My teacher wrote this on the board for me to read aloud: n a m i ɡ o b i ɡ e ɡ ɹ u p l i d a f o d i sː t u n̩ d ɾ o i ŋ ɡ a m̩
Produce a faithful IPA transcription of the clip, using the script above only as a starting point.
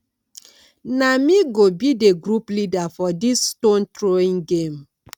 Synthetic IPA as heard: n a m i ɡ o b i d e ɡ ɾ u p l i d a f ɔ d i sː t o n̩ t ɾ o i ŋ ɡ e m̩